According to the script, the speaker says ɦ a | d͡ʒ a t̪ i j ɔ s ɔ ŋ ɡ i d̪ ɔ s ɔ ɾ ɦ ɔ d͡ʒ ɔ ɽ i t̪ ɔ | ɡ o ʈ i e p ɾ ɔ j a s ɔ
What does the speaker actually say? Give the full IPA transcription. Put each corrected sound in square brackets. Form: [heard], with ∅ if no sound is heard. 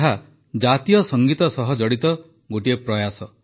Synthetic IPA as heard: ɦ a | d͡ʒ a t̪ i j ɔ s ɔ ŋ ɡ i [t̪] ɔ s ɔ [∅] ɦ ɔ d͡ʒ ɔ ɽ i t̪ ɔ | ɡ o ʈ i e p ɾ ɔ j a s ɔ